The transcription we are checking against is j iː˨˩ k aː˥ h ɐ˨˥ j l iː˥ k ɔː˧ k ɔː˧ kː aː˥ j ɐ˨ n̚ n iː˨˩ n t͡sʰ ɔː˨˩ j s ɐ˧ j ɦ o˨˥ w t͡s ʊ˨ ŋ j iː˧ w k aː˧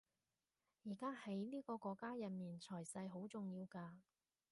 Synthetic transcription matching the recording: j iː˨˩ k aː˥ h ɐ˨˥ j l iː˥ k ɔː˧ k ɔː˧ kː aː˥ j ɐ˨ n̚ m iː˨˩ n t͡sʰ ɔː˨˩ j s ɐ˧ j ɦ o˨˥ w t͡s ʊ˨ ŋ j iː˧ w k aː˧